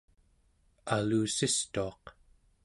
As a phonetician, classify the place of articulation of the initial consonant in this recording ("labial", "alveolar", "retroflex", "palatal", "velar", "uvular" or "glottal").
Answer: alveolar